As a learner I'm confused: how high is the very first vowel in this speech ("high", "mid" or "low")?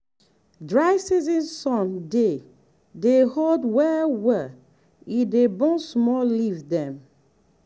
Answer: low